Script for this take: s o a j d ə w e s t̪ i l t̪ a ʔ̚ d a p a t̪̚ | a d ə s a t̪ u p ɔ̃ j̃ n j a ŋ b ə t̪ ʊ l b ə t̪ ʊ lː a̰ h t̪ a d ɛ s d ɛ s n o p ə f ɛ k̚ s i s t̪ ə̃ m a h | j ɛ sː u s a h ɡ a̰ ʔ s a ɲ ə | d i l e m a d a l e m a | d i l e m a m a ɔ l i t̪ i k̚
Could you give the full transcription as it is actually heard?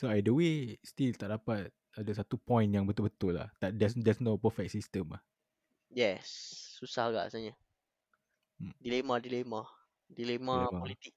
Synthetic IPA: s o a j d ə w e s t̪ i l t̪ a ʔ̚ d a p a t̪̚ | a d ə s a t̪ u p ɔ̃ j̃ n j a ŋ b ə t̪ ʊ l b ə t̪ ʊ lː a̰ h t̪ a d ɛ s d ɛ s n o p ə f ɛ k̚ s i s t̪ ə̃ m a h | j ɛ sː u s a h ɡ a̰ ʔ s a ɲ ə | d i l e m a d i l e m a | d i l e m a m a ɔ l i t̪ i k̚